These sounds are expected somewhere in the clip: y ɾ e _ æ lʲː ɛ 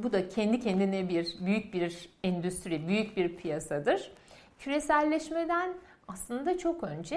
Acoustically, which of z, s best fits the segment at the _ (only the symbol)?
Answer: s